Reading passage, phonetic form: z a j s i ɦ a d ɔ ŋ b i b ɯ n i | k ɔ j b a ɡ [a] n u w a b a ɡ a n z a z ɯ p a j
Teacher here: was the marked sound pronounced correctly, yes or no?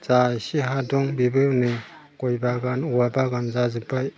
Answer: yes